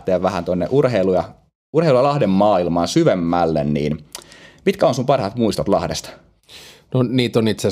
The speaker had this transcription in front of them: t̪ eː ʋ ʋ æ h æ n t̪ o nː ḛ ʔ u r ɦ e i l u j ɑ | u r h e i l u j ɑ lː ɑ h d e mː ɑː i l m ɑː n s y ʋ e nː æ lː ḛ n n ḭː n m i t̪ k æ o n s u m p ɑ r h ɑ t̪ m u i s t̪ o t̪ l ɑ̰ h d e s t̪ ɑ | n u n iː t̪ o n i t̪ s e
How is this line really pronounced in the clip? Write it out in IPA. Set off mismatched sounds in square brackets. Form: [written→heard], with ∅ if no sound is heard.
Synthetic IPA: t̪ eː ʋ ʋ æ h æ n t̪ o nː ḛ ʔ u r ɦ e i l u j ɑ | u r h e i l u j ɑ [lː→l] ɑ h d e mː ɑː i l m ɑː n s y ʋ e [nː→mː] æ lː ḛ n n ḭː n m i t̪ k æ o n s u m p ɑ r h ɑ t̪ m u i s t̪ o t̪ l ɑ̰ h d e s t̪ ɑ | n [u→o] n iː t̪ o n i t̪ s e